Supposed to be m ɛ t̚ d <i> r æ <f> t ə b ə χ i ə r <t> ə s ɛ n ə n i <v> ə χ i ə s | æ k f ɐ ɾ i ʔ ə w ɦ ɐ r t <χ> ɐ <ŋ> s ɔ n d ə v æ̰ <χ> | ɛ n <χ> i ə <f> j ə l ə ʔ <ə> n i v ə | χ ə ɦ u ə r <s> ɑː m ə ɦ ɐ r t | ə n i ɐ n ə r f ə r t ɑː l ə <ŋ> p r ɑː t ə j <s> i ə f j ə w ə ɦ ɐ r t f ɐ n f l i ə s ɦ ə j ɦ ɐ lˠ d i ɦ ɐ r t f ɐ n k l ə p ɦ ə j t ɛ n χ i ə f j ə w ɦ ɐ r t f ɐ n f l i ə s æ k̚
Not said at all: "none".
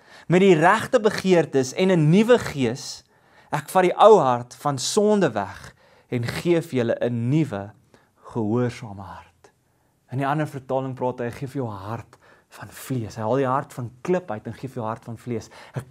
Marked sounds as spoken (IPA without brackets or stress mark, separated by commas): i, χ, t, v, f, n, χ, χ, f, ə, s, ŋ, χ